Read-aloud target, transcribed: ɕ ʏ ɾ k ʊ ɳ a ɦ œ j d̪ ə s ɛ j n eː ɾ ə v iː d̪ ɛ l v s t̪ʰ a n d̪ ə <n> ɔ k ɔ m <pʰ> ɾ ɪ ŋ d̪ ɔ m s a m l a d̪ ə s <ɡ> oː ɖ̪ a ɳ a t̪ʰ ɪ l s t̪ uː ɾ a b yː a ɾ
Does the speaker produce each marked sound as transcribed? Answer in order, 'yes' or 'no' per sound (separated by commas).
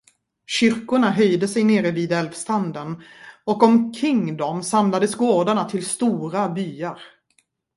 yes, no, yes